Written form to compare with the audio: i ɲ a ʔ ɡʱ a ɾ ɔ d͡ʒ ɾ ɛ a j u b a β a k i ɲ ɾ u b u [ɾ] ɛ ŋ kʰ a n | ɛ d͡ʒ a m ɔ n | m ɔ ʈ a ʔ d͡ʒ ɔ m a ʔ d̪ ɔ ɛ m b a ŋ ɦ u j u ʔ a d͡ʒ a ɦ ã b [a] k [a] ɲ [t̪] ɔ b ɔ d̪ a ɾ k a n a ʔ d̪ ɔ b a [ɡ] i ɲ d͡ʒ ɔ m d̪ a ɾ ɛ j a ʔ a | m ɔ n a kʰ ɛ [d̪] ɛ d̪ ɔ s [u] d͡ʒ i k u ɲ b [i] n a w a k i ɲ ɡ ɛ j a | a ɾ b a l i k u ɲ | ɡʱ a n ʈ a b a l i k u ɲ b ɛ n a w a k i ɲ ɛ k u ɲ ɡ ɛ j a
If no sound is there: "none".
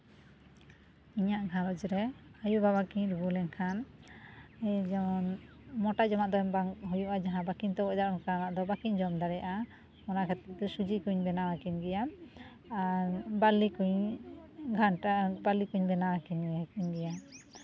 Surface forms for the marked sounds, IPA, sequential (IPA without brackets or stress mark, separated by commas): l, a, i, t̪, k, t̪, u, ɛ